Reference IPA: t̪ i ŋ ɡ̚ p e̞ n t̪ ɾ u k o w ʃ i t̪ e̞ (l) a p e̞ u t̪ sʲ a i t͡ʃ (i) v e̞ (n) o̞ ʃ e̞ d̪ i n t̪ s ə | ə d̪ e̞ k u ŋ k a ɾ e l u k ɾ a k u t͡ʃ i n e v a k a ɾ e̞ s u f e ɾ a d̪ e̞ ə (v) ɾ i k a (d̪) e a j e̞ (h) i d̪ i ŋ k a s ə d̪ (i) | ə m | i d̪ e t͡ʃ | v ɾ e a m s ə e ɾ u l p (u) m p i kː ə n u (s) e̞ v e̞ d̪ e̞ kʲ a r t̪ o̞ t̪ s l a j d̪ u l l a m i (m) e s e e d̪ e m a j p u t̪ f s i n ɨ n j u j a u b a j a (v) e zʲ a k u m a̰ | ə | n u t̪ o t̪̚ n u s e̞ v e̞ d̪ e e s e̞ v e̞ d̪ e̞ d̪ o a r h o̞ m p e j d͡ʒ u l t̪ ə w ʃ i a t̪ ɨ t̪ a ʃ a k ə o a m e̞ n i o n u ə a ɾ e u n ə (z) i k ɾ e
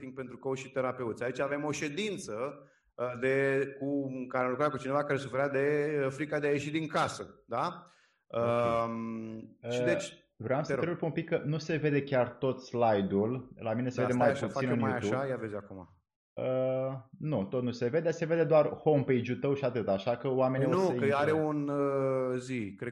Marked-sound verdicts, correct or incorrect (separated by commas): incorrect, incorrect, incorrect, incorrect, correct, incorrect, incorrect, correct, correct, incorrect, correct, correct